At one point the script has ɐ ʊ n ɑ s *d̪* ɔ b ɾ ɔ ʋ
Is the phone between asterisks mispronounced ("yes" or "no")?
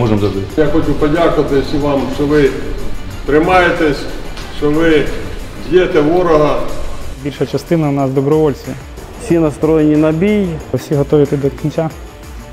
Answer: no